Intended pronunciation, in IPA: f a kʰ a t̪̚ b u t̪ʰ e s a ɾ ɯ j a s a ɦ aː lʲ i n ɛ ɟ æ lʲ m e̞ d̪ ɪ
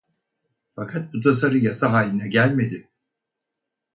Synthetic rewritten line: f a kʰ a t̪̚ b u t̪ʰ a s a ɾ ɯ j a s a ɦ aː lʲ i n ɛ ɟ æ lʲ m e̞ d̪ ɪ

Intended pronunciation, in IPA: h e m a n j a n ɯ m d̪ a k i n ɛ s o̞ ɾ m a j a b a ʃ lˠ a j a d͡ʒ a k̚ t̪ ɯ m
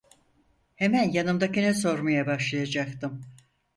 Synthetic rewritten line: h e m æ n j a n ɯ m d̪ a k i n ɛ s o̞ ɾ m a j a b a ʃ lˠ a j a d͡ʒ a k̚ t̪ ɯ m

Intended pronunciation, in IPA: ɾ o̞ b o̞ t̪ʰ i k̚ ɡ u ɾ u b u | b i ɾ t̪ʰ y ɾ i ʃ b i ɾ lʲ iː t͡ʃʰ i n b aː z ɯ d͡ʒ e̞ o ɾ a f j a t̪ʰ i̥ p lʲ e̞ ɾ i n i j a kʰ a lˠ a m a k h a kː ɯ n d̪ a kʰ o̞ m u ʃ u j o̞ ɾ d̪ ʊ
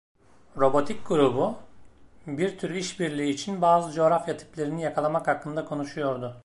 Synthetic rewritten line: ɾ o̞ b o̞ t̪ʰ i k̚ ɡ u ɾ u b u | b i ɾ t̪ʰ y ɾ i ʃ b i ɾ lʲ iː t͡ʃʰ i n b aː z ɯ d͡ʒ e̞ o ɾ a f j a t̪ʰ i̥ p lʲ e̞ ɾ i n i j a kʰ a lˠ a m a k h a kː ɯ n d̪ a kʰ o̞ n u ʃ u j o̞ ɾ d̪ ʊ

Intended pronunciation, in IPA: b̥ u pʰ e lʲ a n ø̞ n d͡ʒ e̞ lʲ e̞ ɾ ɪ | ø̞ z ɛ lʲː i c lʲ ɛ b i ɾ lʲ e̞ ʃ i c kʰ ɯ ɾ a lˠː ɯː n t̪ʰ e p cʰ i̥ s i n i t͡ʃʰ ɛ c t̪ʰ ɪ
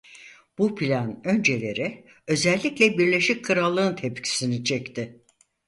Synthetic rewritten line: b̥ u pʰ i lʲ a n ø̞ n d͡ʒ e̞ lʲ e̞ ɾ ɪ | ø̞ z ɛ lʲː i c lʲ ɛ b i ɾ lʲ e̞ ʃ i c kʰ ɯ ɾ a lˠː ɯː n t̪ʰ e p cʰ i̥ s i n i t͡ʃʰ ɛ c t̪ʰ ɪ

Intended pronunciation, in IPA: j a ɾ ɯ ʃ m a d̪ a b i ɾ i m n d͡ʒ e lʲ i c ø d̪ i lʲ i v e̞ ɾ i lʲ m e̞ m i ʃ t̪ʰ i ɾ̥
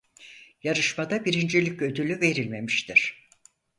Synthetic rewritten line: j a ɾ ɯ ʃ m a d̪ a b i ɾ i n d͡ʒ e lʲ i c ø d̪ y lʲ y v e̞ ɾ i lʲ m e̞ m i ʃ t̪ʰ i ɾ̥

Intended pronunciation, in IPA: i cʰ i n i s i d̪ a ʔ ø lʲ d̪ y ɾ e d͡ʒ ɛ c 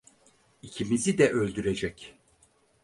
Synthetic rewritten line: i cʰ i m i z i d̪ ɛ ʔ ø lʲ d̪ y ɾ e d͡ʒ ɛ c

